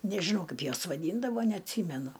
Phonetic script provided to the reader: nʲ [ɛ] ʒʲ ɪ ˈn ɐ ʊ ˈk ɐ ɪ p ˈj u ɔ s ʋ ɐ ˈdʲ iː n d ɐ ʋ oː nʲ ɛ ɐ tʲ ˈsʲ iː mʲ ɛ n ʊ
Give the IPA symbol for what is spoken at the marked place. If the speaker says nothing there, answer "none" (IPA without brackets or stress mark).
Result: ɛ